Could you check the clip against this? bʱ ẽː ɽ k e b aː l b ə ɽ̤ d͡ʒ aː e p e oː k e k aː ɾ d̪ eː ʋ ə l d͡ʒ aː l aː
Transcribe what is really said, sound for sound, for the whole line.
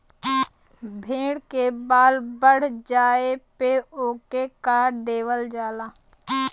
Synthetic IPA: bʱ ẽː ɽ k e b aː l b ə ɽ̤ d͡ʒ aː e p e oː k e k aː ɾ d̪ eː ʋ ə l d͡ʒ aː l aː